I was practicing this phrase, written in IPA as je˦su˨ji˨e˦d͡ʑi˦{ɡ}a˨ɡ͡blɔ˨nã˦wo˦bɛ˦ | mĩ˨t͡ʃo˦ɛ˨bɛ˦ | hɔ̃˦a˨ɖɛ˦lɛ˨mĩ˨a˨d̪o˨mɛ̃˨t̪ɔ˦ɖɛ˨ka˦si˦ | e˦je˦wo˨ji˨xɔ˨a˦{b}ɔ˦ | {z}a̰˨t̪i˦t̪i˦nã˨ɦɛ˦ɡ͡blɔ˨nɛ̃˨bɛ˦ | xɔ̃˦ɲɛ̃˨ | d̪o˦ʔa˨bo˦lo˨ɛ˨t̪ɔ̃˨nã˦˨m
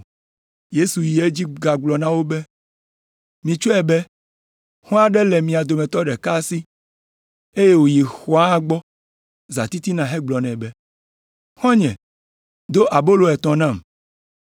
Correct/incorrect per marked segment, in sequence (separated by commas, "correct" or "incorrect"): correct, incorrect, correct